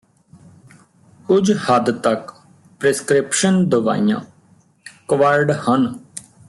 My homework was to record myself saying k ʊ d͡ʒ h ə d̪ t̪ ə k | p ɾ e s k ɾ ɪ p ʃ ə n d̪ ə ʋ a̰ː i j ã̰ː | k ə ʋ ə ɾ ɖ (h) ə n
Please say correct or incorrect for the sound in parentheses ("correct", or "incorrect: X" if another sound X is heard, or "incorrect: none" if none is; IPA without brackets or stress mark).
correct